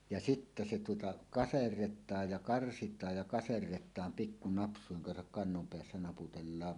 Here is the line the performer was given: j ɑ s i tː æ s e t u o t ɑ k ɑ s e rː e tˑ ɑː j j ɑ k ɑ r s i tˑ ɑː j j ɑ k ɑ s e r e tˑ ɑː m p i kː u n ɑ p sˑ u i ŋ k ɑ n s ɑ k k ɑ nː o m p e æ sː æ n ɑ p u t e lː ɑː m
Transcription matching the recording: j ɑ s i tː æ s e t u o t ɑ k ɑ s e rː e tˑ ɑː j j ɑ k ɑ r s i tˑ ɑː j j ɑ k ɑ s e rː e tˑ ɑː m p i kː u n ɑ p sˑ u i ŋ k ɑ n s ɑ k k ɑ nː o m p e æ sː æ n ɑ p u t e lː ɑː m